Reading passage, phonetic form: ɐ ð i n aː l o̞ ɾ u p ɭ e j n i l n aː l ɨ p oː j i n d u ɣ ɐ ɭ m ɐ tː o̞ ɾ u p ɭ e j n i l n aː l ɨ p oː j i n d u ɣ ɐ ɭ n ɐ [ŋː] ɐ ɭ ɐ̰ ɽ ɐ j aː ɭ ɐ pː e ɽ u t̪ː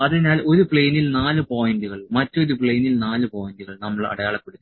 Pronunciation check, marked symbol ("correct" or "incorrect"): incorrect